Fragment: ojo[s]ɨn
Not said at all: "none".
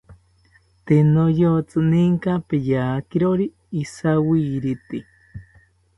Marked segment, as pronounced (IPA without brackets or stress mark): t͡s